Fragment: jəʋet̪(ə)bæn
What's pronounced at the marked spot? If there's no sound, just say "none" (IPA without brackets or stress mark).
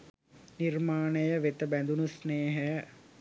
ə